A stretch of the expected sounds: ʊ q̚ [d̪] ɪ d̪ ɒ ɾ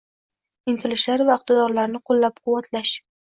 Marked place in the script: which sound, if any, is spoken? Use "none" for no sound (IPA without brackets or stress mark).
t̪